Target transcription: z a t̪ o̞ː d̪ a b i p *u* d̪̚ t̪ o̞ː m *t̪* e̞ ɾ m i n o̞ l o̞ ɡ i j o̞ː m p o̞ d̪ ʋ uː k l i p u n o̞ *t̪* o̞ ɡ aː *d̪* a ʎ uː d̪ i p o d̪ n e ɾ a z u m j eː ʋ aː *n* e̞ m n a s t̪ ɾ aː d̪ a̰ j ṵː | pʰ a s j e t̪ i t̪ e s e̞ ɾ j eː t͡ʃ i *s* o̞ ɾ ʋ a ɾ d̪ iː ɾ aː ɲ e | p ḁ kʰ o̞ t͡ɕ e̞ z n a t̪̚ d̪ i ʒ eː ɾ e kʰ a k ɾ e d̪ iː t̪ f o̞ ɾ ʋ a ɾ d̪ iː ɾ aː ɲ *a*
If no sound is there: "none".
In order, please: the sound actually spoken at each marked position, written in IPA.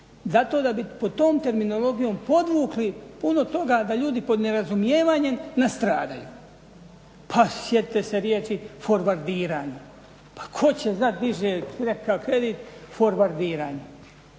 o, t̪, t̪, d̪, ɲ, f, e

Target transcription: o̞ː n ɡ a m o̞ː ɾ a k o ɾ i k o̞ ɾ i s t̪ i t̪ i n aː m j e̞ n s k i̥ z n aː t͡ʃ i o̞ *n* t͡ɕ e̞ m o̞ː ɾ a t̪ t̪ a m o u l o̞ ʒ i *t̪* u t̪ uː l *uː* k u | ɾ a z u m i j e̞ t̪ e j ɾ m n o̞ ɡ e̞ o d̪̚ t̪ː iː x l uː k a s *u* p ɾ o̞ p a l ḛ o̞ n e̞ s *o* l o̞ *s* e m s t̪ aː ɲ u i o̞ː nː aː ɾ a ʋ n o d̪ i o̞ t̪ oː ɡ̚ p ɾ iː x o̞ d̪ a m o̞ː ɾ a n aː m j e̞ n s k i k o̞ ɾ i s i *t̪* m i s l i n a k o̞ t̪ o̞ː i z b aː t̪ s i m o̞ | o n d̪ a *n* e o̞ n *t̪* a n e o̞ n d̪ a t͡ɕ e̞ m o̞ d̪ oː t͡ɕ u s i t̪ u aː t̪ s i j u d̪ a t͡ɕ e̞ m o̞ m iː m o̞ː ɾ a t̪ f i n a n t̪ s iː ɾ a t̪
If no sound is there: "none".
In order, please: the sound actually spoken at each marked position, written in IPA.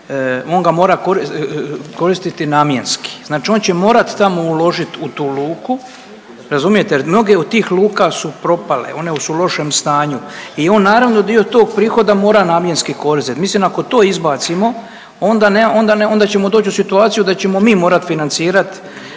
n, t̪, uː, u, u, ʃ, t̪, n, d̪

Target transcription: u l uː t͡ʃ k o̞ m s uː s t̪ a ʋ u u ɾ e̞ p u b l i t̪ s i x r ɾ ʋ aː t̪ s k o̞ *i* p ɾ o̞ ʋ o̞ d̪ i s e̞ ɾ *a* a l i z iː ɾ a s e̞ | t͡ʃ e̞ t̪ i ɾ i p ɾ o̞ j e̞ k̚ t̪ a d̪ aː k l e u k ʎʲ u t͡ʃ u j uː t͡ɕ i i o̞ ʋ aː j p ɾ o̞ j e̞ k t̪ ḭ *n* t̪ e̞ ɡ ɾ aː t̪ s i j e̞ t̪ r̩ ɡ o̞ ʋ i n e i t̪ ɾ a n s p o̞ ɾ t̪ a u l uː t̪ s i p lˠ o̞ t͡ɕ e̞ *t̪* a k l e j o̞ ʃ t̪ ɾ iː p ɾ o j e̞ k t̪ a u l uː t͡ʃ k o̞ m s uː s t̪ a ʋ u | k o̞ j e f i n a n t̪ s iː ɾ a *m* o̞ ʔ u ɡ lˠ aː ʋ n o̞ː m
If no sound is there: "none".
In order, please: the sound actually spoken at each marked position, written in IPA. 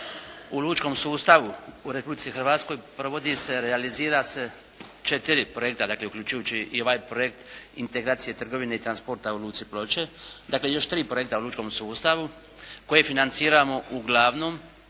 j, e, n, d̪, m

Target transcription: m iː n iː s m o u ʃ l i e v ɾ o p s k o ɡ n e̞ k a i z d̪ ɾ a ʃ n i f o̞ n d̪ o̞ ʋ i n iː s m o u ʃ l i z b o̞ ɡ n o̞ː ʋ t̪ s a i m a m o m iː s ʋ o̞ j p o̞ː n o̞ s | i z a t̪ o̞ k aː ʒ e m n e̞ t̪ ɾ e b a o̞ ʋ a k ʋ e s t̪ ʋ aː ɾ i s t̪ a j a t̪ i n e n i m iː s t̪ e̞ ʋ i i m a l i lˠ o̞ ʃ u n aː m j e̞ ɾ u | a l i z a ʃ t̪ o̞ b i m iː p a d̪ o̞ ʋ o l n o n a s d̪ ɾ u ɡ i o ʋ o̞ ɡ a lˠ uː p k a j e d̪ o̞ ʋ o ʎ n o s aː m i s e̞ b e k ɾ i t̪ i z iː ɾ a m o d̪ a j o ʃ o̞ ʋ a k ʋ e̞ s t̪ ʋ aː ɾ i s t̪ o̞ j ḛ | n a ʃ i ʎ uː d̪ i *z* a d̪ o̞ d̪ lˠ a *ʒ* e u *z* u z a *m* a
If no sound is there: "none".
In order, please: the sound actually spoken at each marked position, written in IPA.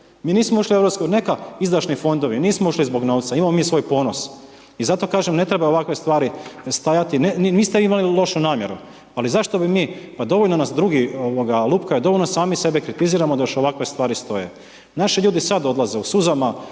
s, z, s, m

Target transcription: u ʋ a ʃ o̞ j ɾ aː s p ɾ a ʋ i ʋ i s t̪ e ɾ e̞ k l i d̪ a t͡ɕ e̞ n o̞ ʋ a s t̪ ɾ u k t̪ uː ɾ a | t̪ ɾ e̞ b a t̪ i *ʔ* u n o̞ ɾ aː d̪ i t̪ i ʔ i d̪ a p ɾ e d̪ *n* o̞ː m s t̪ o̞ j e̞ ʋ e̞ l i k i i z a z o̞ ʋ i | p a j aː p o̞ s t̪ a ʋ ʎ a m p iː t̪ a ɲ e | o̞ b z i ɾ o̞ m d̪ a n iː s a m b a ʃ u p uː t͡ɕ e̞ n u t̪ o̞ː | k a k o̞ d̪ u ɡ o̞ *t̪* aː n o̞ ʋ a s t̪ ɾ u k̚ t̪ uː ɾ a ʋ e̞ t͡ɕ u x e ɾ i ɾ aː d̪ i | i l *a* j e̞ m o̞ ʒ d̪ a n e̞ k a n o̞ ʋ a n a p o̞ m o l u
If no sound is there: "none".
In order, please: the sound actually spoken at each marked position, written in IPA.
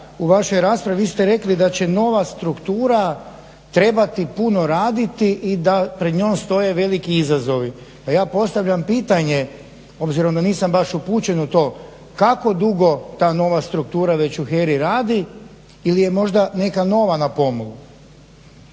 p, ɲ, t̪, i

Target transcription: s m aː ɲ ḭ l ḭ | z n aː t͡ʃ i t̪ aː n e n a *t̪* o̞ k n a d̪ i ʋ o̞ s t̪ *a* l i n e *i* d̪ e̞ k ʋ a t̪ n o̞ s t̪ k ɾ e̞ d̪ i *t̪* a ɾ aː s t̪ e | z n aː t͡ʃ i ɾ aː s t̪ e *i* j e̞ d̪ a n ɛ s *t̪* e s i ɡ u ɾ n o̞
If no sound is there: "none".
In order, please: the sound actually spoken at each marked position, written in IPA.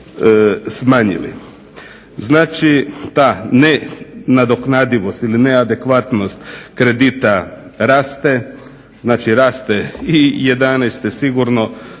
d̪, i, a, t̪, i, t̪

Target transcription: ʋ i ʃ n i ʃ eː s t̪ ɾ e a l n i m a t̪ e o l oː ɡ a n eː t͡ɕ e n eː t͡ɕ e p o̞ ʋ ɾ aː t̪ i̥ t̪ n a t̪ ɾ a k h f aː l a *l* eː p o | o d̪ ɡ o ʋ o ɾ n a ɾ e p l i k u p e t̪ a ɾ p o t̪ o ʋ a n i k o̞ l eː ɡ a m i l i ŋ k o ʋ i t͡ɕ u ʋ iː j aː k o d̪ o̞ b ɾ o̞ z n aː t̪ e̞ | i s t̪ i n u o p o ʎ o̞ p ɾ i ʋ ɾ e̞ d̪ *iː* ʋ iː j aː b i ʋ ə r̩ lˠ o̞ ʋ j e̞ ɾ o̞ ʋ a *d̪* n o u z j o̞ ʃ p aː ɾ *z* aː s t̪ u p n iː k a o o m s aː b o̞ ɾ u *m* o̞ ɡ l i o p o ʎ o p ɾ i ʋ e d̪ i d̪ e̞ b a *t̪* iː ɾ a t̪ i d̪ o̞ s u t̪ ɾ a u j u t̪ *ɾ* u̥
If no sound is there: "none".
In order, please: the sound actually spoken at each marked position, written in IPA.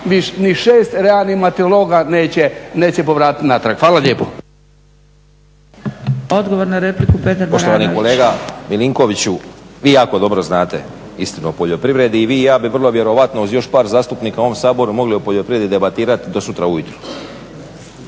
ʎ, iː, t̪, z, m, t̪, ɾ

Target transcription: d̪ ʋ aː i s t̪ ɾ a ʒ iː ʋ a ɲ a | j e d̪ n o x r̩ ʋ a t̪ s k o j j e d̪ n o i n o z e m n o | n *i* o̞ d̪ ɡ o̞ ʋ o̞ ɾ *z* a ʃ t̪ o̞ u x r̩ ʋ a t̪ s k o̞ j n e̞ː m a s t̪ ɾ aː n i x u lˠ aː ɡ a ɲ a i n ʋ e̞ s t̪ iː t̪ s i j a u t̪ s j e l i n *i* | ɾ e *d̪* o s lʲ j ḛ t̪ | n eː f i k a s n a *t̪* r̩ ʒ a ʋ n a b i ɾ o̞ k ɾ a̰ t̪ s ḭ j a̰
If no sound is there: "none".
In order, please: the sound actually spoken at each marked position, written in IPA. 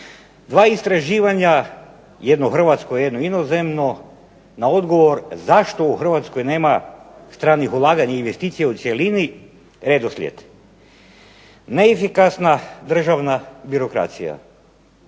a, z, i, d̪, d̪

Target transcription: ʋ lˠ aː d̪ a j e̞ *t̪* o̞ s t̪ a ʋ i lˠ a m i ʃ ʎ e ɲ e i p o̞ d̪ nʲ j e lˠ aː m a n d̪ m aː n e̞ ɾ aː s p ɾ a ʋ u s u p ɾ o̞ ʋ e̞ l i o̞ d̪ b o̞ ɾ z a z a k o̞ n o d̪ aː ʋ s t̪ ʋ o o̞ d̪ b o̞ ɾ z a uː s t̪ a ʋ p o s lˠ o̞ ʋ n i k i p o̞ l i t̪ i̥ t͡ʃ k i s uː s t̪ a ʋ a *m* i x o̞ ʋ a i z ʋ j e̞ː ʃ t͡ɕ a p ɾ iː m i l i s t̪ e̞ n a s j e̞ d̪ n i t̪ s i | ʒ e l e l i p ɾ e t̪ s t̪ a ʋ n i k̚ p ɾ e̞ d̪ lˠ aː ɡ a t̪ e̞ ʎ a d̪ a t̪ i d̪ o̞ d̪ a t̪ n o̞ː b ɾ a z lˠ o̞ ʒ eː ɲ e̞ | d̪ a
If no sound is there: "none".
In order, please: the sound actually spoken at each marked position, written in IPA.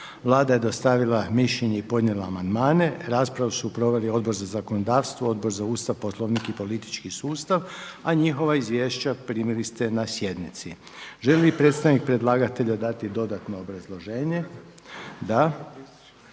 d̪, ɲ

